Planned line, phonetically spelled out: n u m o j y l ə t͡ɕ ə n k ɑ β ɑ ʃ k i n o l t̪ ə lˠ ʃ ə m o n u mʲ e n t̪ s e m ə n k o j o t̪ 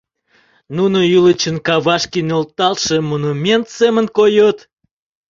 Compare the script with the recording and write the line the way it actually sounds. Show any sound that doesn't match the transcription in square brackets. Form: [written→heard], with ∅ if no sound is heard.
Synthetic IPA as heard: n u [m→n] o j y l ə t͡ɕ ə n k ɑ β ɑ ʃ k i n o l t̪ [ə→ɑ] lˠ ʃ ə m o n u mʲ e n t̪ s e m ə n k o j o t̪